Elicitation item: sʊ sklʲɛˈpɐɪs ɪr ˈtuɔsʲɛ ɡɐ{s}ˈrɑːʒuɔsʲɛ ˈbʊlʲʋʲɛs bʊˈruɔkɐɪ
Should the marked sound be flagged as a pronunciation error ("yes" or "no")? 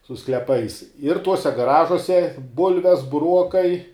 yes